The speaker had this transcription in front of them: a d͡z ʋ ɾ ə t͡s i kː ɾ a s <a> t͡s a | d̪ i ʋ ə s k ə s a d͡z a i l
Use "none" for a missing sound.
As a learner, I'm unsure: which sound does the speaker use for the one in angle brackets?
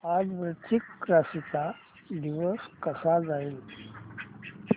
i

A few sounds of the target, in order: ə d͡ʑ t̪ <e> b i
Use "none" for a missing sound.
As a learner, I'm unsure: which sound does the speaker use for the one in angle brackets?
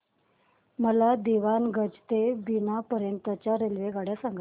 e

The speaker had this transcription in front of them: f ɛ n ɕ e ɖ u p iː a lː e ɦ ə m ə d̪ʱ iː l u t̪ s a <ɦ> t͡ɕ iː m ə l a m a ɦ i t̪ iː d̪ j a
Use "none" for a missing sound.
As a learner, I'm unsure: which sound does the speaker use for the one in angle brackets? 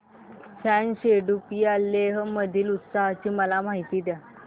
ɦ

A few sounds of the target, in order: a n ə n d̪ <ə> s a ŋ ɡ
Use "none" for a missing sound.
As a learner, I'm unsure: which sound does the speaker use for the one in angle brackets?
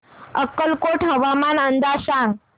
a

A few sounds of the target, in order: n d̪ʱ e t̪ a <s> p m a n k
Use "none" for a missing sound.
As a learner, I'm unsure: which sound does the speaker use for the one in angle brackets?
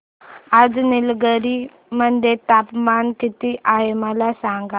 none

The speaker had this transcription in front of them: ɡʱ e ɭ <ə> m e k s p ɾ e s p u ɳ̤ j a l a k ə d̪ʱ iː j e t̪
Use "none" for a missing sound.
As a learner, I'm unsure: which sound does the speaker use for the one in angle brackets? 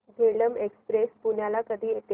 ə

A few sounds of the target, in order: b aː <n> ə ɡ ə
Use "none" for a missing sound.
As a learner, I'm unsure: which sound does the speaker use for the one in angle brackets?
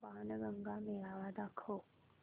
n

